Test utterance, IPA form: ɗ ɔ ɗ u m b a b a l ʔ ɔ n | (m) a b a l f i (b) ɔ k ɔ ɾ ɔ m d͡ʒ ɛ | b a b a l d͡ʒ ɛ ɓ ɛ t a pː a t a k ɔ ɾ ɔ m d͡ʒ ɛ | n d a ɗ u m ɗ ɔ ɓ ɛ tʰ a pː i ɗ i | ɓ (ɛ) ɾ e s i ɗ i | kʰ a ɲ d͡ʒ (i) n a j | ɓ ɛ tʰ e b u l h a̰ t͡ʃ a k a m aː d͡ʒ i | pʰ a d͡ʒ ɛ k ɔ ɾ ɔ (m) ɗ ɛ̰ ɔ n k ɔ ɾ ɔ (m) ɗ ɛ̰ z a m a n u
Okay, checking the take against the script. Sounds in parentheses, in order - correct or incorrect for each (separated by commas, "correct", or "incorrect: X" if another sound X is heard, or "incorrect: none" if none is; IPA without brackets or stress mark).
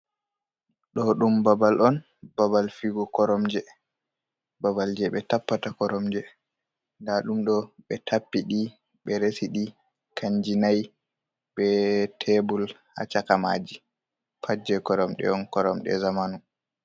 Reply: incorrect: b, incorrect: ɡ, correct, correct, correct, correct